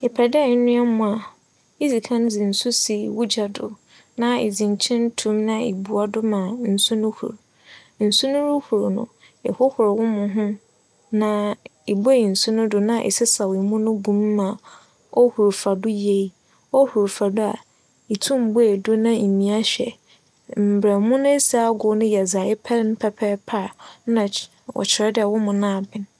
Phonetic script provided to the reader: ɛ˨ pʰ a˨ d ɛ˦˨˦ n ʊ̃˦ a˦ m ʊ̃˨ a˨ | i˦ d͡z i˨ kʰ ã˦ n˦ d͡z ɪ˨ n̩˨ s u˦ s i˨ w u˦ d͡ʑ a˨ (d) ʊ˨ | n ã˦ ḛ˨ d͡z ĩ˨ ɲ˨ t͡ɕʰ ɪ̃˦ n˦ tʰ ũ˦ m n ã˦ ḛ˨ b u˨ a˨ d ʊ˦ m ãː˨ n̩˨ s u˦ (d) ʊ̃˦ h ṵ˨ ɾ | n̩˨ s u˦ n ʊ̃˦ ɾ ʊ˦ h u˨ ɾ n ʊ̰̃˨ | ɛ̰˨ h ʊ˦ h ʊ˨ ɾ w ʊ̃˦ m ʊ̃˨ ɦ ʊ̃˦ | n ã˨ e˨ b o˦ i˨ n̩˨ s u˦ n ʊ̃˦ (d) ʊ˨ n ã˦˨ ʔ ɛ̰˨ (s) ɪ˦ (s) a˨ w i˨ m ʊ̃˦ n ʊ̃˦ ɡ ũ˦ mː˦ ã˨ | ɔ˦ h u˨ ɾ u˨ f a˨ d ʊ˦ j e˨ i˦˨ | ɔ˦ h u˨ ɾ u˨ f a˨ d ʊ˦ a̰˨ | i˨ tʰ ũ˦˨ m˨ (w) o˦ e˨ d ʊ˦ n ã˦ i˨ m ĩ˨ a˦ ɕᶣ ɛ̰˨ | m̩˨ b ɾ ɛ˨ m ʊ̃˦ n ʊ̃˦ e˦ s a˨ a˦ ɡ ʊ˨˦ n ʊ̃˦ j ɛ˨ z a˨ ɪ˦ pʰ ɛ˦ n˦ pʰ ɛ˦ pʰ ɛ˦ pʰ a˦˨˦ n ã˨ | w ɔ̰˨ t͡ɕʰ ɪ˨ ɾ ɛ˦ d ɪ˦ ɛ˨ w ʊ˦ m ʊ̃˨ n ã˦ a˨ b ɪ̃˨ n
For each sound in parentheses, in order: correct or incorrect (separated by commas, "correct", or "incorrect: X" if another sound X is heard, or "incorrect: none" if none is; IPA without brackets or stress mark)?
correct, incorrect: n, correct, correct, correct, incorrect: b